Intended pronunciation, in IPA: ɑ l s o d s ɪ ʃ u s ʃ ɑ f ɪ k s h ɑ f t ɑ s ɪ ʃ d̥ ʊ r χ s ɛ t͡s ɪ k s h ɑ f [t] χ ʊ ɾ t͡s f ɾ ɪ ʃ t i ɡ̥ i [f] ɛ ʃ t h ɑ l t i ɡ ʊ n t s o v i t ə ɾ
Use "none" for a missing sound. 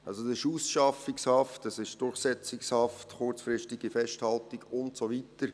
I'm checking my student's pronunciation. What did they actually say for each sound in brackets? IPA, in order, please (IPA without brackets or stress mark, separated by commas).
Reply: t, f